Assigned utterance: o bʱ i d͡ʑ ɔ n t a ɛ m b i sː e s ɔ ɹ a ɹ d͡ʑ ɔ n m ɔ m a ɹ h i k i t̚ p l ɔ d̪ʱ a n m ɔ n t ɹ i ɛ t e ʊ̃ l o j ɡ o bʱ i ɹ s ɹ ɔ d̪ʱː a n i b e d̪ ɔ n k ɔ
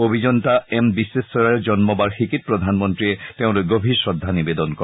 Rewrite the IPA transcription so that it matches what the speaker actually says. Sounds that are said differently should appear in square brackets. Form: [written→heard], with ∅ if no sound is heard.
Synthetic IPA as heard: o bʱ i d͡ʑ ɔ n t a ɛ m b i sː e s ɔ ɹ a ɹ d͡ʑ ɔ n m ɔ [m→b] a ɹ [h→x] i k i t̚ p [l→ɹ] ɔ d̪ʱ a n m ɔ n t ɹ i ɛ t e ʊ̃ l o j ɡ o bʱ i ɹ s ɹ ɔ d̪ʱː a n i b e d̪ ɔ n k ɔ

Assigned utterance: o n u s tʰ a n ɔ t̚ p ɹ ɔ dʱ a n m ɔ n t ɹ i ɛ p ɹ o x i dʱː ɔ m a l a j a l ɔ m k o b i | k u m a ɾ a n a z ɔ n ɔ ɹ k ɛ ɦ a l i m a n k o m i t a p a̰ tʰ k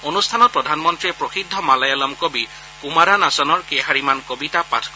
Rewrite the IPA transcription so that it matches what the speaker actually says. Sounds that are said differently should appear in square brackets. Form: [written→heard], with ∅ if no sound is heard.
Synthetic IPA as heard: o n u s tʰ a n ɔ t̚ p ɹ ɔ dʱ a n m ɔ n t ɹ i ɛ p ɹ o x i dʱː ɔ m a l a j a l ɔ m k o b i | k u m a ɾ a n a [z→s] ɔ n ɔ ɹ k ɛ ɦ a [l→ɹ] i m a n k o [m→b] i t a p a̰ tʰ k

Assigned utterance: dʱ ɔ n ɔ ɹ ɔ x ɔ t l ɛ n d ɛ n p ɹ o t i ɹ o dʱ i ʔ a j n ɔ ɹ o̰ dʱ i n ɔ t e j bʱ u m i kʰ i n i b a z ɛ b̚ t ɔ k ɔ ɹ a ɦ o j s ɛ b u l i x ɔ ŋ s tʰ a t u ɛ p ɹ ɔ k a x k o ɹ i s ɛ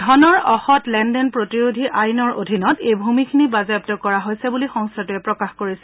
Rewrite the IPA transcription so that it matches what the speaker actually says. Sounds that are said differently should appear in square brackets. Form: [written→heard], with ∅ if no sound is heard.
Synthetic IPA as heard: dʱ ɔ n ɔ ɹ ɔ x ɔ t l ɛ n d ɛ n p ɹ o t i ɹ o dʱ i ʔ a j n ɔ ɹ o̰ dʱ i n ɔ t e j bʱ u m i kʰ i n i b a z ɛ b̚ t ɔ k ɔ ɹ a ɦ o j s ɛ b u l i x ɔ ŋ s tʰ a t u ɛ p ɹ ɔ k a x k o ɹ i s ɛ

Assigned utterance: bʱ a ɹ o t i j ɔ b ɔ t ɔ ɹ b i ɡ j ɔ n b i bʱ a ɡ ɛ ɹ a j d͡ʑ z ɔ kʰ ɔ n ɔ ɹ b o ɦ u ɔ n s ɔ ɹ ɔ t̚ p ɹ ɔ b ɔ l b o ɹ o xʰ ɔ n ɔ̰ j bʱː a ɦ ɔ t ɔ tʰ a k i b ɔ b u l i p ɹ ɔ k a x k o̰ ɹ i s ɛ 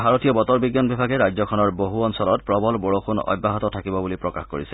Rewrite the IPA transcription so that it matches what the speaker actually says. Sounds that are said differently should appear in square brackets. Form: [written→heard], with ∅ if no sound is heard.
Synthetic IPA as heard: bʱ a ɹ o t i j ɔ b ɔ t ɔ ɹ b i ɡ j ɔ n b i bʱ a ɡ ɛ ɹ a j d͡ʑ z ɔ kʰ ɔ n ɔ ɹ b o ɦ u ɔ n s ɔ [ɹ→l] ɔ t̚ p ɹ ɔ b ɔ l b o ɹ o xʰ [ɔ→u] n ɔ̰ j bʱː a ɦ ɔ t ɔ tʰ a k i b ɔ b u l i p ɹ ɔ k a x k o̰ ɹ i s ɛ

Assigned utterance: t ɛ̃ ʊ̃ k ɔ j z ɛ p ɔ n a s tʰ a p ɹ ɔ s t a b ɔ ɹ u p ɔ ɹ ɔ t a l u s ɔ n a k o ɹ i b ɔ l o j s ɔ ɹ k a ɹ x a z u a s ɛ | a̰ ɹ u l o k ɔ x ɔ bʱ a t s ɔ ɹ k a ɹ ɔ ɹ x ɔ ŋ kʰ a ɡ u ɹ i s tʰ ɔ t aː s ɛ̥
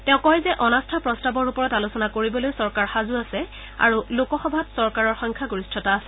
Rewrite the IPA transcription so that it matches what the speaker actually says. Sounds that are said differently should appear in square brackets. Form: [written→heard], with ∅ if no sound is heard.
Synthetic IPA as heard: t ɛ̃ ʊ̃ k ɔ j z ɛ [p→ʔ] ɔ n a s tʰ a p ɹ ɔ s t a b ɔ ɹ u p ɔ ɹ ɔ t a l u s ɔ n a k o ɹ i b ɔ l o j s ɔ ɹ k a ɹ x a z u a s ɛ | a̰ ɹ u l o k ɔ x ɔ bʱ a t s ɔ ɹ k a ɹ ɔ ɹ x ɔ ŋ kʰ a ɡ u ɹ i s tʰ ɔ t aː s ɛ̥

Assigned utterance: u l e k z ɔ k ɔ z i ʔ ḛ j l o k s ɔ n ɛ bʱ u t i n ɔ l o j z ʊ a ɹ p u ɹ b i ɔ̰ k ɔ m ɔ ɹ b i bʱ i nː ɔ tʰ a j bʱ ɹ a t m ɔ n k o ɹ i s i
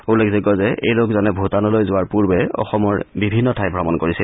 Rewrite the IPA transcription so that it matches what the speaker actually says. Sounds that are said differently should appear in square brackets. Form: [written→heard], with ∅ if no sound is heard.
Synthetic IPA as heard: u l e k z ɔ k ɔ z [i→ɛ] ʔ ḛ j l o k [s→z] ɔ n ɛ bʱ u t [i→a] n ɔ l o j z ʊ a ɹ p u ɹ b [i→ɛ] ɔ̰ [k→x] ɔ m ɔ ɹ b i bʱ i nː ɔ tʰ a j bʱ ɹ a [t→∅] m ɔ n k o ɹ i s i

